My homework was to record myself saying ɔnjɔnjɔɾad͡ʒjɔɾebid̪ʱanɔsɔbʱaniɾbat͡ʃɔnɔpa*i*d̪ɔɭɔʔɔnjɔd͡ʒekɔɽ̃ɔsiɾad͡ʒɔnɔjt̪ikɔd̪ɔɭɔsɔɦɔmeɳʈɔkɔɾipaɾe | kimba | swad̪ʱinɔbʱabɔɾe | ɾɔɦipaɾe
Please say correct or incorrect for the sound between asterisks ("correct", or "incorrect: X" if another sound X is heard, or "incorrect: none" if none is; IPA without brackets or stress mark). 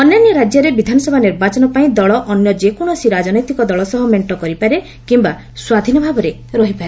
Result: incorrect: ĩ